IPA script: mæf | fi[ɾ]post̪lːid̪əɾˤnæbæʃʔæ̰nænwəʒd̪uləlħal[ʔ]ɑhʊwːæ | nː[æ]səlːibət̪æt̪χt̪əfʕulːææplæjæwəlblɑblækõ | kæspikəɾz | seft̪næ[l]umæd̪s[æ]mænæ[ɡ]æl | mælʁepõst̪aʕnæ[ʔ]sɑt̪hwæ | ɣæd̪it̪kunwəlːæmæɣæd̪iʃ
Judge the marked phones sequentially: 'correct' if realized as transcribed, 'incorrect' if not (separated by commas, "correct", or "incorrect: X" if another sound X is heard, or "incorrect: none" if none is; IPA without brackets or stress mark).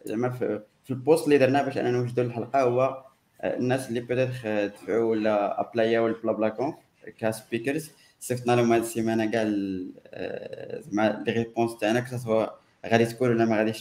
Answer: incorrect: l, incorrect: q, correct, correct, incorrect: i, correct, incorrect: k